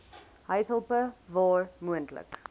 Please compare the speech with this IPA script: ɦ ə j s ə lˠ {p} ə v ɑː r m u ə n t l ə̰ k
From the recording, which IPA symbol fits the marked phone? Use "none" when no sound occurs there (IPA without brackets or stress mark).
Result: p